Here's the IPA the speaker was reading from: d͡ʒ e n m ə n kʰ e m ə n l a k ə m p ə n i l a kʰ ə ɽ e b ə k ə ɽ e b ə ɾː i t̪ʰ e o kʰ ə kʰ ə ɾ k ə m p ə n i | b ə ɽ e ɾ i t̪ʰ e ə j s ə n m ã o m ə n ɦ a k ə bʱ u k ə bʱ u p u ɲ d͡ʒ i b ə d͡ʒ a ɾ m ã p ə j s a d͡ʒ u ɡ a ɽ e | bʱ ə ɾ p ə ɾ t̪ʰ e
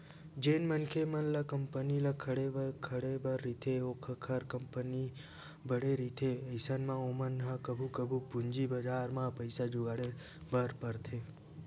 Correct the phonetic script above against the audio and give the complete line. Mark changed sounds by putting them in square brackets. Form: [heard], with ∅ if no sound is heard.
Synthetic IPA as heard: d͡ʒ e n m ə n kʰ e m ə n l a k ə m p ə n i l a kʰ ə ɽ e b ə [kʰ] ə ɽ e b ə ɾː i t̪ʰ e o kʰ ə kʰ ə ɾ k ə m p ə n i | b ə ɽ e ɾ i t̪ʰ e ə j s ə n m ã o m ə n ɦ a k ə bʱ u k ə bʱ u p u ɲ d͡ʒ i b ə d͡ʒ a ɾ m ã p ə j s a d͡ʒ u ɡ a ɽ e | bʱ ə ɾ p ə ɾ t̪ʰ e